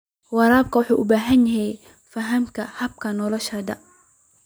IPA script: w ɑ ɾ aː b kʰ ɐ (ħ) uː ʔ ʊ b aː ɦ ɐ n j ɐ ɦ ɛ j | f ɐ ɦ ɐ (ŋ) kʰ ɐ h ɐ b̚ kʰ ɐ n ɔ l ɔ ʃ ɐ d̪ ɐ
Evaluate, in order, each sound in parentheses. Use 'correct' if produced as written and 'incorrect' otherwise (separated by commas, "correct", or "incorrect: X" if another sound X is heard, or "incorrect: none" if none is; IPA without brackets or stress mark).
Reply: correct, incorrect: m